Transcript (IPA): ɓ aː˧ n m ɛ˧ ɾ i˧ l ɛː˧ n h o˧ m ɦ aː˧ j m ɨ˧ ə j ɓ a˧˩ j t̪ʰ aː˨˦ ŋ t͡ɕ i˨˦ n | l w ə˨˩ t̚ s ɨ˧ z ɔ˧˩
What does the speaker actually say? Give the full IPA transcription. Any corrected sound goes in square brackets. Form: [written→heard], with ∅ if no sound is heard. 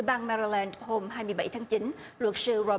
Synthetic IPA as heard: ɓ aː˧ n m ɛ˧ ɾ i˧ l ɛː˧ n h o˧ m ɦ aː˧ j m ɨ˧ ə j ɓ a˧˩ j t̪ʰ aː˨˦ ŋ t͡ɕ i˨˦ n | l w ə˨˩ t̚ s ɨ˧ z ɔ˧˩